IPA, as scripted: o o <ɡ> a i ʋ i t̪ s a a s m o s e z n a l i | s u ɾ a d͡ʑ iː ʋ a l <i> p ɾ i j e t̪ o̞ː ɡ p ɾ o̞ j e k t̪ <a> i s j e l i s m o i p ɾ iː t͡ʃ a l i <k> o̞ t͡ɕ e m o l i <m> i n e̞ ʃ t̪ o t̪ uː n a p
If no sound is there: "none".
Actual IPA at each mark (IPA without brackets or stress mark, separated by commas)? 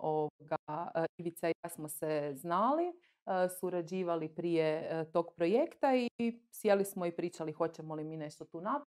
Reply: ɡ, i, a, x, m